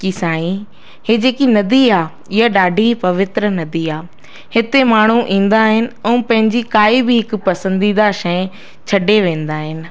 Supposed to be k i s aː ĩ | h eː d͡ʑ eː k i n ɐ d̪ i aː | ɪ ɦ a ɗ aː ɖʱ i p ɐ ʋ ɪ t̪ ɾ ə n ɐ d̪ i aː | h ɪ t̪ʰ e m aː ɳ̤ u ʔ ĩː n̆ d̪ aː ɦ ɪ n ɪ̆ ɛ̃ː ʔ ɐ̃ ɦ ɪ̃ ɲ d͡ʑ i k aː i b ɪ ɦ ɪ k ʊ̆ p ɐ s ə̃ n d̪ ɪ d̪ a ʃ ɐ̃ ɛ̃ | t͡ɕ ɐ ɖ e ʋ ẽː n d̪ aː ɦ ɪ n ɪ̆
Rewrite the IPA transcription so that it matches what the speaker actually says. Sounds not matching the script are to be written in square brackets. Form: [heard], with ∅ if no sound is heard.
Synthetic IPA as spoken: k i s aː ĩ | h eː d͡ʑ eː k i n ɐ d̪ i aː | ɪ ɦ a ɗ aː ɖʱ i p ɐ ʋ ɪ t̪ ɾ ə n ɐ d̪ i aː | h ɪ [t̪] e m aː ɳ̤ u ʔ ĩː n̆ d̪ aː ɦ ɪ n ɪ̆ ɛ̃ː [p] ɐ̃ ɦ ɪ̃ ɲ d͡ʑ i k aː i b ɪ ɦ ɪ k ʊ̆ p ɐ s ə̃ n d̪ [i] d̪ a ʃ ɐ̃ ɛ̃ | [t͡ɕʰ] ɐ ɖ e ʋ ẽː n d̪ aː ɦ ɪ n ɪ̆